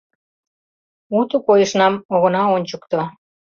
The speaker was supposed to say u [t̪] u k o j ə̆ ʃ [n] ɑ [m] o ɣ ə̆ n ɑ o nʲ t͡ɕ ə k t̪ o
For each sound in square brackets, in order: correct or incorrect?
correct, correct, correct

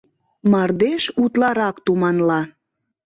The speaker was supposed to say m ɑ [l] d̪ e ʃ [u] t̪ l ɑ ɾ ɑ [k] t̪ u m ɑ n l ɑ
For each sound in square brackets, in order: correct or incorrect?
incorrect: r, correct, correct

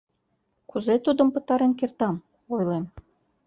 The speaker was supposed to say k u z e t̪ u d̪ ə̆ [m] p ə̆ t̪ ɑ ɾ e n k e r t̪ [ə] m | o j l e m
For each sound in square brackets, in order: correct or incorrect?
correct, incorrect: ɑ

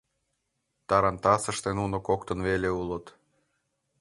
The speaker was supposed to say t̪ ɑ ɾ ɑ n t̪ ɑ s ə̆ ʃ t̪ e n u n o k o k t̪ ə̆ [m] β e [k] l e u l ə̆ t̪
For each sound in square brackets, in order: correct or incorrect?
incorrect: n, incorrect: none

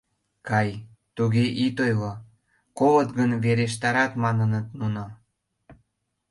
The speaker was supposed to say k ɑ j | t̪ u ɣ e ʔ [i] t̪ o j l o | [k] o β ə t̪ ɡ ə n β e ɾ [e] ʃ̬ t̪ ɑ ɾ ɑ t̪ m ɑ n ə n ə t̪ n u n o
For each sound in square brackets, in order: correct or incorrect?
correct, correct, correct

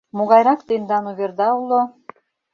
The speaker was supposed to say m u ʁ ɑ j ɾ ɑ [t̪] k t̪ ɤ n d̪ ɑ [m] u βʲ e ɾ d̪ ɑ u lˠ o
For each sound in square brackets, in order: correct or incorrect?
incorrect: none, incorrect: n

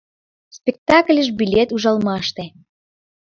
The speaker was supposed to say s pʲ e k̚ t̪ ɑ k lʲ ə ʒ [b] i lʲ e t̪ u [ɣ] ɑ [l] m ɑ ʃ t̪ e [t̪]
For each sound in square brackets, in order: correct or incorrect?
correct, incorrect: ʒ, correct, incorrect: none

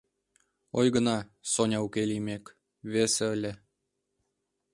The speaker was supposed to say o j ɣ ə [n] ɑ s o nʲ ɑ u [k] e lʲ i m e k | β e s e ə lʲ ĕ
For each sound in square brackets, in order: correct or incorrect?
correct, correct

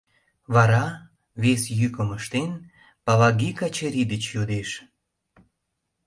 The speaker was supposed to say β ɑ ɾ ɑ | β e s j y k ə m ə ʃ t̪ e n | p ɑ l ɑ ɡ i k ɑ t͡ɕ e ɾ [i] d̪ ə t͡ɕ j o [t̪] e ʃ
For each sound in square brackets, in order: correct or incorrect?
correct, incorrect: d̪

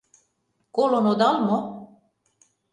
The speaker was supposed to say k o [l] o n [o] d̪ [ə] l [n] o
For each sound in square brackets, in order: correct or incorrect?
correct, correct, incorrect: ɑ, incorrect: m

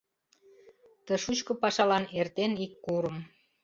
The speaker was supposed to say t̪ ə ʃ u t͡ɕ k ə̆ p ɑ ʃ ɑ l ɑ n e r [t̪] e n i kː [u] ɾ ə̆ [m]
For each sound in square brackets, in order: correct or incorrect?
correct, correct, correct

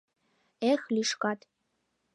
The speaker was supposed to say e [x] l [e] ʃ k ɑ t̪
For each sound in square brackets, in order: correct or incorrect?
correct, incorrect: i

